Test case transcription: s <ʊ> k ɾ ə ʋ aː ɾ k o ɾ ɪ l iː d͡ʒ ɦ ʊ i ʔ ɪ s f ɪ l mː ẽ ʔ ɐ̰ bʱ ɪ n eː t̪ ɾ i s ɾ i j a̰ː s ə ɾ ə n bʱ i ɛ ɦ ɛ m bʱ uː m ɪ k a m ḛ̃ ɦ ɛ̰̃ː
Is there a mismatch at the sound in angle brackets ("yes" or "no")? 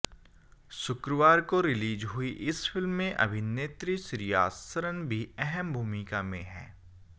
no